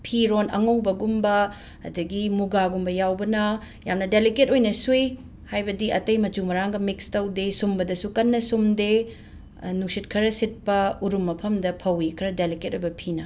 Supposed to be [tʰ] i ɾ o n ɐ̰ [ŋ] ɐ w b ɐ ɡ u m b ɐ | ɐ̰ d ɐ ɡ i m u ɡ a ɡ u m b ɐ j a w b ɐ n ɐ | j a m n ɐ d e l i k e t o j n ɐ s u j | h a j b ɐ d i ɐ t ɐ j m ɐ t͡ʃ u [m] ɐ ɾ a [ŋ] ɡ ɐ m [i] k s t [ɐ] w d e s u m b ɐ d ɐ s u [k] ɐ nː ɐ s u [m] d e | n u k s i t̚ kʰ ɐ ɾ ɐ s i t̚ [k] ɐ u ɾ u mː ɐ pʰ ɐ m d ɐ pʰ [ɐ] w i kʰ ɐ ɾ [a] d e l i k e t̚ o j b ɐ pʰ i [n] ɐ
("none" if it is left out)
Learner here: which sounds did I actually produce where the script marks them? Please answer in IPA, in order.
pʰ, ŋ, m, ŋ, i, ɐ, k, m, p, ɐ, ɐ, n

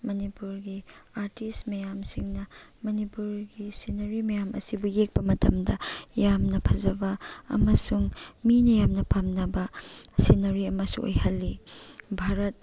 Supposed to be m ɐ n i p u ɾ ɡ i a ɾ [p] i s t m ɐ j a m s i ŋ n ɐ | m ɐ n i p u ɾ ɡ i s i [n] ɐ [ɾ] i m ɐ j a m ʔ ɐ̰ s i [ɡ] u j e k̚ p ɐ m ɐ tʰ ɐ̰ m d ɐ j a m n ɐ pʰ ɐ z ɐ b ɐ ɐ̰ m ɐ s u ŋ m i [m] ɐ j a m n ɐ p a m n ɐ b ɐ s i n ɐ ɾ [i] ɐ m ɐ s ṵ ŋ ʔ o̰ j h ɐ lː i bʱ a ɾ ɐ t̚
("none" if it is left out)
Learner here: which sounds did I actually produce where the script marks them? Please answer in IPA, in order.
t, n, ɾ, b, n, i

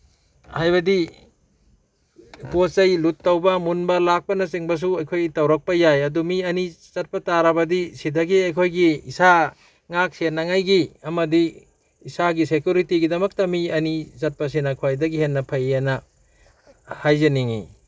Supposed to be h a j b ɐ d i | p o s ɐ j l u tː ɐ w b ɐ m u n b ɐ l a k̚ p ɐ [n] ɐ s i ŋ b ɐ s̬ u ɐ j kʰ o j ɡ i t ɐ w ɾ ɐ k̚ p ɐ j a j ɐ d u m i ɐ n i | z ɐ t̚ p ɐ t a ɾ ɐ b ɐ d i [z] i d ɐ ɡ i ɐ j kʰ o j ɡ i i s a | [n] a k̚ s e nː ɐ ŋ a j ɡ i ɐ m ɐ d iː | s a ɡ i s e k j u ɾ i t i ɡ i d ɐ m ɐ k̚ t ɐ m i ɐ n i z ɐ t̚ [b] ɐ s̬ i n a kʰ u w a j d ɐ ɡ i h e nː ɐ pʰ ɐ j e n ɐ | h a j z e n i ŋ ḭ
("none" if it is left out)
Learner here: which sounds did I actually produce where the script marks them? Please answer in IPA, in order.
n, s, ŋ, p

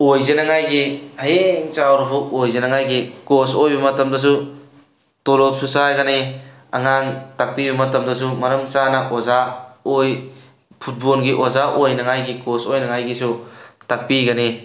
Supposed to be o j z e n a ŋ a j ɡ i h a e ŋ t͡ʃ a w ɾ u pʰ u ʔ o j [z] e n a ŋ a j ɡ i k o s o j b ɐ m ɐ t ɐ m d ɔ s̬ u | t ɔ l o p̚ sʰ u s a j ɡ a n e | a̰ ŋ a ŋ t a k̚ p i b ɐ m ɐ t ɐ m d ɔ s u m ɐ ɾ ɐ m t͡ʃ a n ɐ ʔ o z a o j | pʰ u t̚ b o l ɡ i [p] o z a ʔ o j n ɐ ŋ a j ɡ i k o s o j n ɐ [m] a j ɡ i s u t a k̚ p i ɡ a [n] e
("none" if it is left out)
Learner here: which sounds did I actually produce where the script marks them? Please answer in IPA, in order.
z, ʔ, ŋ, n

